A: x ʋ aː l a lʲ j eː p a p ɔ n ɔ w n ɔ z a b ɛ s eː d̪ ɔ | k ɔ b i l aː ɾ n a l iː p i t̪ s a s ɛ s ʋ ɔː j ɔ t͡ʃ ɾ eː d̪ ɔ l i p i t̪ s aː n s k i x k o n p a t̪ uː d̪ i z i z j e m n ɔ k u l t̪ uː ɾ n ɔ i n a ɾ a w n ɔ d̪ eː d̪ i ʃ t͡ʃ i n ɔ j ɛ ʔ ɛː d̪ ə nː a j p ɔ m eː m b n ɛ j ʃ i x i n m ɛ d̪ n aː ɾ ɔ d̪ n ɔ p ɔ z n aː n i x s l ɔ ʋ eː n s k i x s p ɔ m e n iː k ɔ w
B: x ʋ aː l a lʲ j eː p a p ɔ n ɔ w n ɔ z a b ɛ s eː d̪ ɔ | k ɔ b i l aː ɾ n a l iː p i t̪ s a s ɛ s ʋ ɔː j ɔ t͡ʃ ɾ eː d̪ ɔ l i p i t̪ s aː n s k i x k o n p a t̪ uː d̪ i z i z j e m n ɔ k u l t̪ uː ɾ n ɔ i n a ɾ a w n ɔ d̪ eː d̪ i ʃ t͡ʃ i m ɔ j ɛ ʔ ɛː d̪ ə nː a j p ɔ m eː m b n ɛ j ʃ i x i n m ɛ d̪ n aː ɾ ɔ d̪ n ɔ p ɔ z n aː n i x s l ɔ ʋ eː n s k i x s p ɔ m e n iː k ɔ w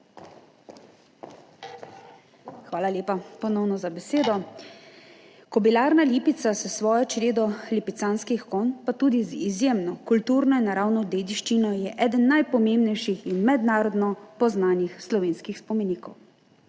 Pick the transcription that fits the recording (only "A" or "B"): A